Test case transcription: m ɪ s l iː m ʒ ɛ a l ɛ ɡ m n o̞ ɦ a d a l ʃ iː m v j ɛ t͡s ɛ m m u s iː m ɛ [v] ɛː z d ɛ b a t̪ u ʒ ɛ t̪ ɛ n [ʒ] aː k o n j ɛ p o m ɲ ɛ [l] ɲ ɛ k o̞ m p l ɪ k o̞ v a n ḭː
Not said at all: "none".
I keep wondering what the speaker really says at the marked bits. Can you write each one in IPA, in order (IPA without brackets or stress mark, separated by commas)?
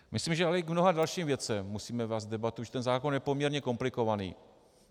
v, z, ɾ